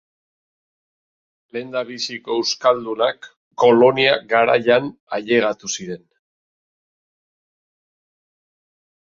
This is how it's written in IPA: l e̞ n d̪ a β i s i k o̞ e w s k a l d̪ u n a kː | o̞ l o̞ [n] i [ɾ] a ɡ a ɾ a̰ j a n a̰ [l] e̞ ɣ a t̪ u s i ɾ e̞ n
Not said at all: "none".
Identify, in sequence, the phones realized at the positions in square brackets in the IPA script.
n, none, ʎ

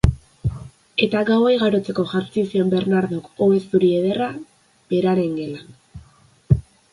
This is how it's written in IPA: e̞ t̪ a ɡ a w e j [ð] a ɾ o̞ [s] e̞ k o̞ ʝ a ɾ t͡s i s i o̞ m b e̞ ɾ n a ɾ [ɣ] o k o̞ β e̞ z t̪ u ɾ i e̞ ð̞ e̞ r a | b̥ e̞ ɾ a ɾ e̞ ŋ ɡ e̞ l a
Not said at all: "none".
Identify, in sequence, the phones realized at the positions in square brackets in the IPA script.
ɣ, t͡s, ð

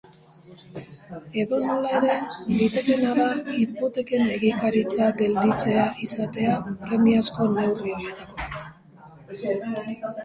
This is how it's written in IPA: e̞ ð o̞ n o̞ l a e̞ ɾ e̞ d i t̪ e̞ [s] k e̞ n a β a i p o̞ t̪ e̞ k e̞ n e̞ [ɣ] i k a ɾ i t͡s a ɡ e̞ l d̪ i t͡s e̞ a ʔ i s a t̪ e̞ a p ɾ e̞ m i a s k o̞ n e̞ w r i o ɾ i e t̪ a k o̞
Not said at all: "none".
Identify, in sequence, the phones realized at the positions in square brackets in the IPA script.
none, ɣ

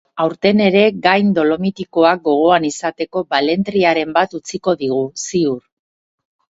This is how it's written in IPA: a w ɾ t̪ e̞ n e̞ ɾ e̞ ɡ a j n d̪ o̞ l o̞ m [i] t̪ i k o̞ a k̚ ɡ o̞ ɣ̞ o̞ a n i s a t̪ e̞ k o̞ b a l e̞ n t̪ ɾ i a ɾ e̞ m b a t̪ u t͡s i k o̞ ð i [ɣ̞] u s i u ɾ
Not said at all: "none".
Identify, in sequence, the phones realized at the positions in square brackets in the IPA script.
i, ɣ̞

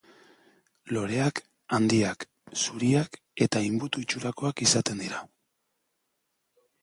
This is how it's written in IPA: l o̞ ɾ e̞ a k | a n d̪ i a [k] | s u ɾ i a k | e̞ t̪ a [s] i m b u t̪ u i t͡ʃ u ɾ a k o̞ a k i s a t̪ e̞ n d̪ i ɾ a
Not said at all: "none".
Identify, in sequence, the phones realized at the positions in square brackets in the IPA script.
k, none

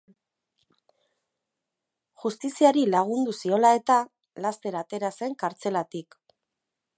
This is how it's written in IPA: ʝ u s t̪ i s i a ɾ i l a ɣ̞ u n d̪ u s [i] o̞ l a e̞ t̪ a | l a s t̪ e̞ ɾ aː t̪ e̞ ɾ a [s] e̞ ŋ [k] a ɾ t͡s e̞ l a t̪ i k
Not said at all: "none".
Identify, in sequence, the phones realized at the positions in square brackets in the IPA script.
i, s, k

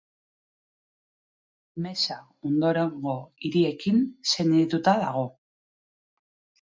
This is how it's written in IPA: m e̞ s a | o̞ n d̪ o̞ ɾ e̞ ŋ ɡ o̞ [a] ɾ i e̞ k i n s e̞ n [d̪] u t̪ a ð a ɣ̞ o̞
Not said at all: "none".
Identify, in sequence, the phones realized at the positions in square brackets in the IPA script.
i, t̪

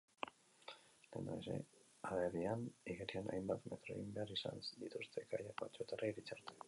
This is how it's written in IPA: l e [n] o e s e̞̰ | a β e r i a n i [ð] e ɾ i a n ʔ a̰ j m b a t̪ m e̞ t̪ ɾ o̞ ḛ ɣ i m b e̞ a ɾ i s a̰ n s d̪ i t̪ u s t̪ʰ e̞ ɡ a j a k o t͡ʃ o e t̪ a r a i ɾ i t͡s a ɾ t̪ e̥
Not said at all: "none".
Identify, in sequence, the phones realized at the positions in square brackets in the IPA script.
n, ɣ

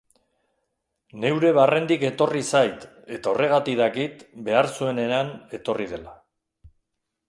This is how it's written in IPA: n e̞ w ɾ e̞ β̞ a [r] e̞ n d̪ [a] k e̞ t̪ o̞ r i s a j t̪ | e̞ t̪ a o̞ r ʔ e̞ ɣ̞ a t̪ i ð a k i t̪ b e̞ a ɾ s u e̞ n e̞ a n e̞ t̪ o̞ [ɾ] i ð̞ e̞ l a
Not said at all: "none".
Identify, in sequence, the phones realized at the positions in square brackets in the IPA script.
r, i, r

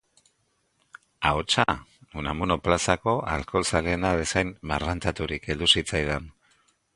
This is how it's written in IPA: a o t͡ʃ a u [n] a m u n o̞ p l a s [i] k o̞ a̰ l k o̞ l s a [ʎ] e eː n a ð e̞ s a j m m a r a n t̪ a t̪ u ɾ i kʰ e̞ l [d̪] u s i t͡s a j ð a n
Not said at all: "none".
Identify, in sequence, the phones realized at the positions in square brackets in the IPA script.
n, a, l, d̪

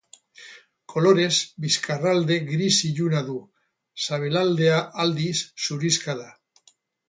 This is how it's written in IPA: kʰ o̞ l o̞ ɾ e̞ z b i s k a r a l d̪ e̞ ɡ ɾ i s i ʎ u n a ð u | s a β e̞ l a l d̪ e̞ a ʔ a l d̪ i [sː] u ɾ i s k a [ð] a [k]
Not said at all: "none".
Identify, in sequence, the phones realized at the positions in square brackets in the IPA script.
sː, ð, none

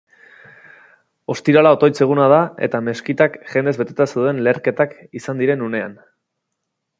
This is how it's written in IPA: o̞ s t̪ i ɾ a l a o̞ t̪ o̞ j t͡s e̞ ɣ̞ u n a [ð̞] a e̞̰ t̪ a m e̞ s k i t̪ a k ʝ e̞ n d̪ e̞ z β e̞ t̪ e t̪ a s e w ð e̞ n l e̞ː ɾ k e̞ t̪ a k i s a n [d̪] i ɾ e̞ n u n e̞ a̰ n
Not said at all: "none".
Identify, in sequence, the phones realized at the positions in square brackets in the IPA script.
ð̞, d̪

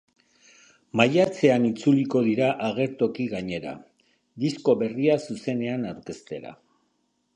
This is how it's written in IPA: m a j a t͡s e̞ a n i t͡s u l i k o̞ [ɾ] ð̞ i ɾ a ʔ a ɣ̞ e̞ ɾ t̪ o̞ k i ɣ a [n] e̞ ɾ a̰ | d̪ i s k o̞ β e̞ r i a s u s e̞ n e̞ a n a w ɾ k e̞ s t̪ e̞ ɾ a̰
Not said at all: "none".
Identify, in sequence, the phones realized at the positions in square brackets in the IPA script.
none, ɲ

